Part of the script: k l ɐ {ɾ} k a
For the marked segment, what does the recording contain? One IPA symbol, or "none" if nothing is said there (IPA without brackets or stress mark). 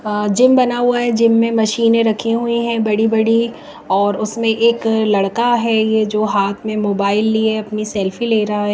ɽ